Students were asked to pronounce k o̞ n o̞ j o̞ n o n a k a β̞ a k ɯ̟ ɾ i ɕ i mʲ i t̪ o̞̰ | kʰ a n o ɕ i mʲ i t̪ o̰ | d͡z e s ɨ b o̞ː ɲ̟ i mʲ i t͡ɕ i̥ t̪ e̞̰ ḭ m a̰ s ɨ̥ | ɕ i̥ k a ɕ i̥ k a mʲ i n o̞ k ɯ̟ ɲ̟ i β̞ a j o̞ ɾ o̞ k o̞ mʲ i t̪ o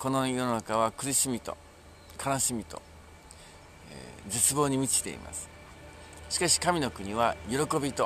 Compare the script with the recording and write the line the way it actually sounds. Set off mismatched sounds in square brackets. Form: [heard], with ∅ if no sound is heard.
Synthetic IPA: k o̞ n o̞ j o̞ n o n a k a β̞ a k ɯ̟ ɾ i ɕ i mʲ i t̪ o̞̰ | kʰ a n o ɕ i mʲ i t̪ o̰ | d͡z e [t͡s] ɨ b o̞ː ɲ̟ i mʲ i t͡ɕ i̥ t̪ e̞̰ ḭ m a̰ s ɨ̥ | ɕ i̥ k a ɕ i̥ k a mʲ i n o̞ k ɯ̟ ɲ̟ i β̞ a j o̞ ɾ o̞ k o̞ [bʲ] i t̪ o